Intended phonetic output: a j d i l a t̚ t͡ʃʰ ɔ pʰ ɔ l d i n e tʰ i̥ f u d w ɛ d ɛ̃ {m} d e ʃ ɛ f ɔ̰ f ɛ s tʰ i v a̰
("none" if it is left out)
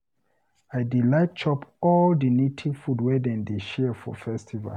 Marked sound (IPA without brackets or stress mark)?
n